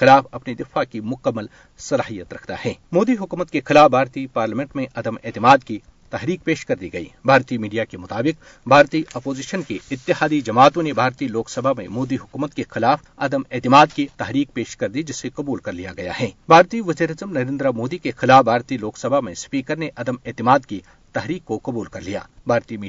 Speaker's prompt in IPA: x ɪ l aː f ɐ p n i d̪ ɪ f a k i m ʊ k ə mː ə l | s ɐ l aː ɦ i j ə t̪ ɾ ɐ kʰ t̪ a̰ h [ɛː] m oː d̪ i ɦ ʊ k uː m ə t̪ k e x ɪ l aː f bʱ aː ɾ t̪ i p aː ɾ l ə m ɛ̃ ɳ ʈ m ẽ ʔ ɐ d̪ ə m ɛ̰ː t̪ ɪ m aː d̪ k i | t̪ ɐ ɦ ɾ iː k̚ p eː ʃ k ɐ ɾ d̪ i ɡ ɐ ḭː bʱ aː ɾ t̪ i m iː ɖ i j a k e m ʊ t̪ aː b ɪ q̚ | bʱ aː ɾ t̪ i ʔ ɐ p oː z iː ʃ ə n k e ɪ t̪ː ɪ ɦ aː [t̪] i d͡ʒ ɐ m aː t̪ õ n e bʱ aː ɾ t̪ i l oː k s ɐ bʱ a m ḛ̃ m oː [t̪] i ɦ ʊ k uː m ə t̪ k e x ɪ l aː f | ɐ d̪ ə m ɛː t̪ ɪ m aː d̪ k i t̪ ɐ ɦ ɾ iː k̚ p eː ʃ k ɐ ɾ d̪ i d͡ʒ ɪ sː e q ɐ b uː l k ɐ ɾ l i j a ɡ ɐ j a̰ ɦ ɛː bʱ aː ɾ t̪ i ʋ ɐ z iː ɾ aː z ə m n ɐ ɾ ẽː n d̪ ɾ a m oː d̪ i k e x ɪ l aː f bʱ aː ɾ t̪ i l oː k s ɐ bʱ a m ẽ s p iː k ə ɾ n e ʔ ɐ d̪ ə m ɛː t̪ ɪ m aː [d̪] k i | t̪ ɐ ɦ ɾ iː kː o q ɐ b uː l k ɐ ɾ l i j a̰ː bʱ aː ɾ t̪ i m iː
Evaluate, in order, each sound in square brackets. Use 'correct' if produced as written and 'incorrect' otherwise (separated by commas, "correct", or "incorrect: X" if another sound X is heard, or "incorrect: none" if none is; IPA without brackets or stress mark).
correct, incorrect: d̪, incorrect: d̪, correct